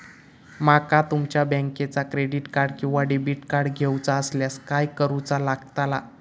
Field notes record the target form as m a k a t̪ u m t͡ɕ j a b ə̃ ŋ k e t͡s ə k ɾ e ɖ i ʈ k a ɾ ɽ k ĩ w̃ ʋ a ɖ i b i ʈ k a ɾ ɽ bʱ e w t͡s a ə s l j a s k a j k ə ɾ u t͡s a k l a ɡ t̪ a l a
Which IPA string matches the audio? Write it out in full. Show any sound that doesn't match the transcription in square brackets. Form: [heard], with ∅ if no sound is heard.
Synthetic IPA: m a k a t̪ u m t͡ɕ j a b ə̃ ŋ k e t͡s [a] k ɾ e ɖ i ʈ k a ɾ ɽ k ĩ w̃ ʋ a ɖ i b i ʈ k a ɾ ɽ [ɡʱ] e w t͡s a ə s l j a s k a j k ə ɾ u t͡s a [∅] l a ɡ t̪ a l a